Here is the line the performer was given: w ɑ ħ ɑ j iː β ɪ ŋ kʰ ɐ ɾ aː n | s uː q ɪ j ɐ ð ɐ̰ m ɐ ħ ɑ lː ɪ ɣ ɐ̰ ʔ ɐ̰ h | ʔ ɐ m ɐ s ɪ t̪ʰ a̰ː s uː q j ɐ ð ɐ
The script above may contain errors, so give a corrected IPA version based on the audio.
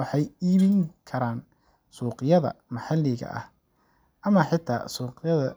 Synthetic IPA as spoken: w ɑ ħ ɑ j iː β ɪ ŋ kʰ ɐ ɾ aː n | s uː q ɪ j ɐ ð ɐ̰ m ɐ ħ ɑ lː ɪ ɣ ɐ̰ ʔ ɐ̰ h | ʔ ɐ m ɐ ħ ɪ t̪ʰ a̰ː s uː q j ɐ ð ɐ